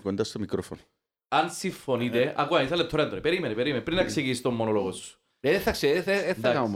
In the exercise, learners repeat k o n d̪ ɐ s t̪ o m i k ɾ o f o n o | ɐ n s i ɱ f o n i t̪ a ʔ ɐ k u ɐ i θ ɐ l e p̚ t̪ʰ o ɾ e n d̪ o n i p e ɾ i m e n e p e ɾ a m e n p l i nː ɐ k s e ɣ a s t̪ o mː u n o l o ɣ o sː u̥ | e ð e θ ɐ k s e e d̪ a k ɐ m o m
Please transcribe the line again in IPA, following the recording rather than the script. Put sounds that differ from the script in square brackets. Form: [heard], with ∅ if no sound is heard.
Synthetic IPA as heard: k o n d̪ ɐ s t̪ o m i k ɾ o f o n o | ɐ n s i ɱ f o n i t̪ [e] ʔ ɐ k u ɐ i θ ɐ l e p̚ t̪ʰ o ɾ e n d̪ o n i p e ɾ i m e n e p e ɾ [i] m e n p [ɾ] i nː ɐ k s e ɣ [i] s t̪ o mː [o] n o l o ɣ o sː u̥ | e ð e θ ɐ k s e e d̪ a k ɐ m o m